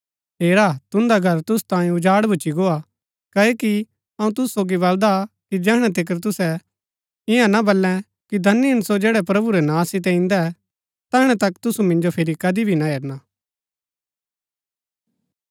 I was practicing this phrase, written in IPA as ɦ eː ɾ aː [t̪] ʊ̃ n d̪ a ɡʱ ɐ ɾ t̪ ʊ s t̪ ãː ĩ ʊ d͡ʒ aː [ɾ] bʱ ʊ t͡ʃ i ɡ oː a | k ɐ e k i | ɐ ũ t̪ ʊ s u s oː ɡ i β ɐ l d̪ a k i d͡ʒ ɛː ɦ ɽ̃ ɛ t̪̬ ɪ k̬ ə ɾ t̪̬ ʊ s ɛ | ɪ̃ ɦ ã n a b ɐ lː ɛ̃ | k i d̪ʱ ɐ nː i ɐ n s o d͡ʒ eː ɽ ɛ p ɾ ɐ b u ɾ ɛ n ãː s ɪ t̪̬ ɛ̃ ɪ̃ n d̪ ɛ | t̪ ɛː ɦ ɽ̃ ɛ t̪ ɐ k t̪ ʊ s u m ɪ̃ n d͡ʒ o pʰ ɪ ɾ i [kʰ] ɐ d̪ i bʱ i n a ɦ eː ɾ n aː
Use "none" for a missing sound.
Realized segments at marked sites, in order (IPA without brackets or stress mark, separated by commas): t̪, ɽ, k